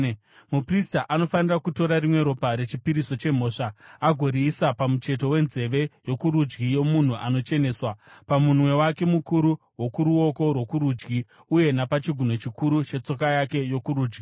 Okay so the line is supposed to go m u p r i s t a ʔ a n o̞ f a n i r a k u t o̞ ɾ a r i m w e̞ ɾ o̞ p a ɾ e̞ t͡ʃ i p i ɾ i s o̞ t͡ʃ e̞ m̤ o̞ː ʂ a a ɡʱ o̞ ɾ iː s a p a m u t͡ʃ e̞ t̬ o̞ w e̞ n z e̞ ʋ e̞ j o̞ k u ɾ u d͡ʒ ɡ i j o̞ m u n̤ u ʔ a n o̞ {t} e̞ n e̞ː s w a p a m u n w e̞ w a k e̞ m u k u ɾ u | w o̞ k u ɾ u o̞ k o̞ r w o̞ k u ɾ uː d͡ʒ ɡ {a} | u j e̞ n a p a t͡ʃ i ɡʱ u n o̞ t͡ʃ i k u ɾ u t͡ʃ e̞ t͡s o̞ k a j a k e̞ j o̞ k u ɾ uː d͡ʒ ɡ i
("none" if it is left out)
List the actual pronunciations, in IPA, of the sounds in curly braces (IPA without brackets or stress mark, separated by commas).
t͡ʃ, i